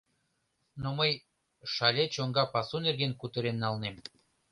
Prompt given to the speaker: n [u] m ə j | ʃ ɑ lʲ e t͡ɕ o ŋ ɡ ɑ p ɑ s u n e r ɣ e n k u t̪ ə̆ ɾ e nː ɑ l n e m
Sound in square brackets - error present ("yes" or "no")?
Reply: yes